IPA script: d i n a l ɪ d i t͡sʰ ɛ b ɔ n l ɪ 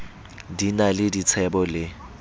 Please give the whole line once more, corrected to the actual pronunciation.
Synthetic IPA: d i n a l ɪ d i t͡sʰ ɛ b ɔ l ɪ